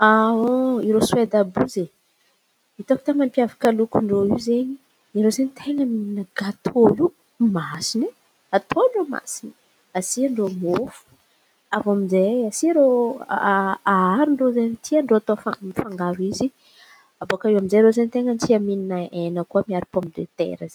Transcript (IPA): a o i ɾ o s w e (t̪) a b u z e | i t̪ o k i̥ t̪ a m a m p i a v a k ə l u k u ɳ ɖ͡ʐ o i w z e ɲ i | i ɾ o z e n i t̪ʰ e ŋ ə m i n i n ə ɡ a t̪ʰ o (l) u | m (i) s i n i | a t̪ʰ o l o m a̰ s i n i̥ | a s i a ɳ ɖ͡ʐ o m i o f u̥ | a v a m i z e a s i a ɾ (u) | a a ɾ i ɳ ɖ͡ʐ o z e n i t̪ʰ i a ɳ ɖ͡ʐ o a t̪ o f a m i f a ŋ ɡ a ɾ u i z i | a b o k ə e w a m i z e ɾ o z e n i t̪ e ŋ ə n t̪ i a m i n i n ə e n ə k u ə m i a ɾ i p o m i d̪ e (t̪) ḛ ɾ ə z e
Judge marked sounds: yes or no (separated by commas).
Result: no, yes, no, no, yes